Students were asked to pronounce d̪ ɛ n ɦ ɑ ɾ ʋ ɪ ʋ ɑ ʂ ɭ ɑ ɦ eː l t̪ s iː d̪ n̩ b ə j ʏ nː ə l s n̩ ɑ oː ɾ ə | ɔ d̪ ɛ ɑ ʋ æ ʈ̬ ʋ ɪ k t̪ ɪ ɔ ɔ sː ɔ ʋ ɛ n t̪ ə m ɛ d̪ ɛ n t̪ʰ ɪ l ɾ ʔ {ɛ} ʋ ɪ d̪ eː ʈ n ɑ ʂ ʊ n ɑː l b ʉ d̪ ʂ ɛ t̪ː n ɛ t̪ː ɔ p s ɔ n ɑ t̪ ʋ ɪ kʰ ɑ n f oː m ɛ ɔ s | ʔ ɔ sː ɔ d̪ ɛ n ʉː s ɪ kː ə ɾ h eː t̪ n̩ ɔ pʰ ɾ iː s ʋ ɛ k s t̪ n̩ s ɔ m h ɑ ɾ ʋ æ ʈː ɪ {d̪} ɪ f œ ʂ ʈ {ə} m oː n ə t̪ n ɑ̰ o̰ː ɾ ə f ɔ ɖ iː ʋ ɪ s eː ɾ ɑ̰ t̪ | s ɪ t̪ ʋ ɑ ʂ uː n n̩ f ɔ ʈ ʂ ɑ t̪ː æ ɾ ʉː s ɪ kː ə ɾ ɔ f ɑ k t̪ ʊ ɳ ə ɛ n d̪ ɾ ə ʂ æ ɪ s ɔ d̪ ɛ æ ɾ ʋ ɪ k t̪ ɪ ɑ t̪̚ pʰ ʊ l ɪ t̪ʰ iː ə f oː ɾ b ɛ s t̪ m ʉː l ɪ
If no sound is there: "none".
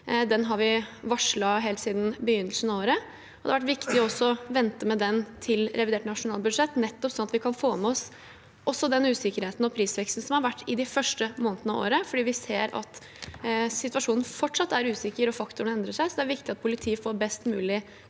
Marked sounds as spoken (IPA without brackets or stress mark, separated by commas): ɛ, d̪, ə